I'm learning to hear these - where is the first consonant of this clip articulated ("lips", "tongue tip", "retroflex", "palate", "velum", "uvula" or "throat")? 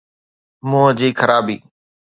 lips